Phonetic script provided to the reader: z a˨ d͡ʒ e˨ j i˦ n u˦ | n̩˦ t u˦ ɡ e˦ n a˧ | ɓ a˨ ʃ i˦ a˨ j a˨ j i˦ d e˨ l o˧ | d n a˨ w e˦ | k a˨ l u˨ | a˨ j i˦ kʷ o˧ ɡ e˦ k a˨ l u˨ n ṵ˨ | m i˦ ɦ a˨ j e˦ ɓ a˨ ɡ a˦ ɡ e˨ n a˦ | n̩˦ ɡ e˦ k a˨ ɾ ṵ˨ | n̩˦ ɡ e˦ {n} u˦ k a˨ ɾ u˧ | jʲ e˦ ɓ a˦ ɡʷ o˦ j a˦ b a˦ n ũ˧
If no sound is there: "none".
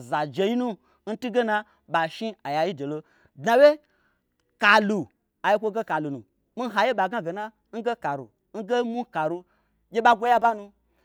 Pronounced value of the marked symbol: m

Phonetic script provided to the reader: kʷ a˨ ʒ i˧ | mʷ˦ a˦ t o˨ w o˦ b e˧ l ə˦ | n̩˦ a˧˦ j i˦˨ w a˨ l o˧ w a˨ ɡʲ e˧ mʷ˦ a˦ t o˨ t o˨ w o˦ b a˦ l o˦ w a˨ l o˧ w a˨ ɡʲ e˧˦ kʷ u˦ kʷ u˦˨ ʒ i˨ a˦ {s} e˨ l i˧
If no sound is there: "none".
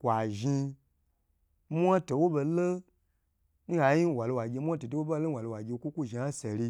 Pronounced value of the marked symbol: s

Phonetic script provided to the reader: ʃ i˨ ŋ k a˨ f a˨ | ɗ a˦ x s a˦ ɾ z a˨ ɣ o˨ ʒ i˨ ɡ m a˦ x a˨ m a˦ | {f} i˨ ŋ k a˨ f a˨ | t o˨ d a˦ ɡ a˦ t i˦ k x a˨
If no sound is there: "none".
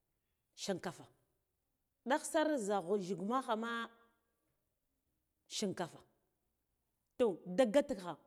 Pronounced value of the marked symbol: ʃ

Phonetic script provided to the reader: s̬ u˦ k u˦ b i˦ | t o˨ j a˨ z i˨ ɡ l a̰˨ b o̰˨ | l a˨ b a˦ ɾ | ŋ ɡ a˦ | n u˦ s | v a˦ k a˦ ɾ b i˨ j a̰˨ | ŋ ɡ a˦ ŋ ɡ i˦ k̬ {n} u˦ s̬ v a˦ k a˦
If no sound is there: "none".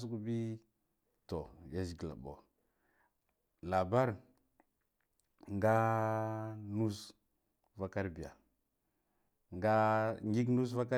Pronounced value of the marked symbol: n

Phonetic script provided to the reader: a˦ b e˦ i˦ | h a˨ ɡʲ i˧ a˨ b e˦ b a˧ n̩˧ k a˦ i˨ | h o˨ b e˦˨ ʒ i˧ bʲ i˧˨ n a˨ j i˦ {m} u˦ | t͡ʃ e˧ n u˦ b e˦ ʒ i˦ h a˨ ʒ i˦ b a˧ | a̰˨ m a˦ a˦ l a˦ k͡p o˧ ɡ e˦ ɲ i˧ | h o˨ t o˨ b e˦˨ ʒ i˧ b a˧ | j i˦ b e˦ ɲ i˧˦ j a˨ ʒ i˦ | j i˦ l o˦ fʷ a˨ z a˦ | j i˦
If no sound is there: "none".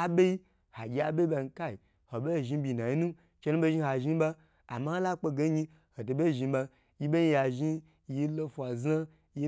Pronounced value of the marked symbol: n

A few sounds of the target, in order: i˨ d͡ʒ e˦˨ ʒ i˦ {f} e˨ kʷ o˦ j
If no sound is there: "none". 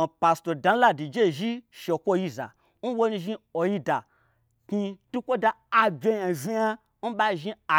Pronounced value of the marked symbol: ʃ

